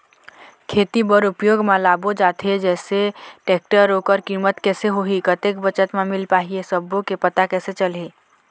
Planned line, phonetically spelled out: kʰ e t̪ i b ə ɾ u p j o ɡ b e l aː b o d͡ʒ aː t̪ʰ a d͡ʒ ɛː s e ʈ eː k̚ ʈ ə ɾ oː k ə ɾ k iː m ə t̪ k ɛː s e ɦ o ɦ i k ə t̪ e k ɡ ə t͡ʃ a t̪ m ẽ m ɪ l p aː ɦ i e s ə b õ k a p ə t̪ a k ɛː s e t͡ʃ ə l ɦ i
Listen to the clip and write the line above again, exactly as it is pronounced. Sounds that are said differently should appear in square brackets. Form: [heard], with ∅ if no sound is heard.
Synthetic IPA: kʰ e t̪ i b ə ɾ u p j o ɡ [m] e l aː b o d͡ʒ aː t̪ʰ [e] d͡ʒ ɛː s e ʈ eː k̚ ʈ ə ɾ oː k ə ɾ k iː m ə t̪ k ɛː s e ɦ o ɦ i k ə t̪ e k [b] ə t͡ʃ [ə] t̪ m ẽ m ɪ l p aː ɦ i e s ə b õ k [e] p ə t̪ a k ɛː s e t͡ʃ ə l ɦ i